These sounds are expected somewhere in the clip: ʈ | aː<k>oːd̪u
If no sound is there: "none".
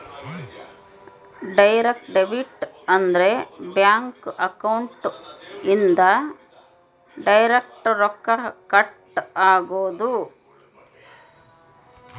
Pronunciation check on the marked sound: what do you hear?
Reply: ɡ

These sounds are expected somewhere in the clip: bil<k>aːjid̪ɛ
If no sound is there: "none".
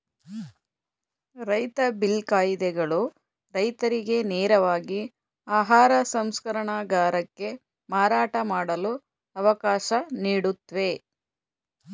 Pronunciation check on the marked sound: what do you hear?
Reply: k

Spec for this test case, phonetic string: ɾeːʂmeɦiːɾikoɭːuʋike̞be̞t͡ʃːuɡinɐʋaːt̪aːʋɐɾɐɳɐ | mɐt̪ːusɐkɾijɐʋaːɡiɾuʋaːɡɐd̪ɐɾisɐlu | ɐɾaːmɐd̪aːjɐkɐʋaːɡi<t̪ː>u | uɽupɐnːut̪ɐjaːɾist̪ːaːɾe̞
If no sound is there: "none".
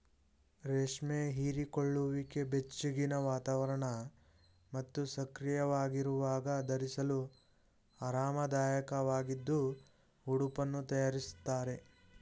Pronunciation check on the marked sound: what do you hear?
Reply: d̪ː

